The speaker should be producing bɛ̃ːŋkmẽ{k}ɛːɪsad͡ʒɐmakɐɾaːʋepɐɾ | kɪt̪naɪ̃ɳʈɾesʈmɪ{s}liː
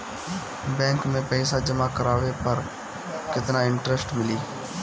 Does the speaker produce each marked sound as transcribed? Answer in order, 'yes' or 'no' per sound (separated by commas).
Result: no, no